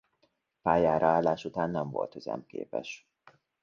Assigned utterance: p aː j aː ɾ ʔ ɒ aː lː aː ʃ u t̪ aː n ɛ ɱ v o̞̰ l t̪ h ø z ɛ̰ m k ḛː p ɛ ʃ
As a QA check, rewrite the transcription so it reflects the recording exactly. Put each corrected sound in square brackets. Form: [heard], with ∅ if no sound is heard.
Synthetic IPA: p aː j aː ɾ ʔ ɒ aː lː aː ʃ u t̪ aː [nː] ɛ ɱ v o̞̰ l t̪ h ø z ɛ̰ m k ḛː p ɛ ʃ